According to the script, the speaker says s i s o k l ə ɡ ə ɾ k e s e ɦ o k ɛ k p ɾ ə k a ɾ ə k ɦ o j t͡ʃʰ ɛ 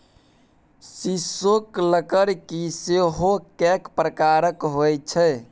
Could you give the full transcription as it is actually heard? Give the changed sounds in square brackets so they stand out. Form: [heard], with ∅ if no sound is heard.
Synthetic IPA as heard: s i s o k l ə [k] ə ɾ k [i] s e ɦ o k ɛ k p ɾ ə k a ɾ ə k ɦ o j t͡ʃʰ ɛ